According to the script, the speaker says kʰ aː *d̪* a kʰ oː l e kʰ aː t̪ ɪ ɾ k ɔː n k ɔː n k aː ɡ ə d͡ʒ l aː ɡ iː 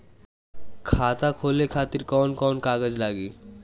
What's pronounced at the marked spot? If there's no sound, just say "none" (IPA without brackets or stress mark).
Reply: t̪